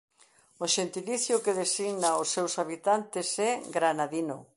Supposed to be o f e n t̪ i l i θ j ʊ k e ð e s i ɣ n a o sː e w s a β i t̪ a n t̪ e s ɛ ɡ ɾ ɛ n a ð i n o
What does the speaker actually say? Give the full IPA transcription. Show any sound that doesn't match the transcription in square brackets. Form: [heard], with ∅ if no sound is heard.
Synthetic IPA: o [ʃ] e n t̪ i l i θ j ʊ k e ð e s i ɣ n a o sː e w s a β i t̪ a n t̪ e s ɛ ɡ ɾ [a] n a ð i n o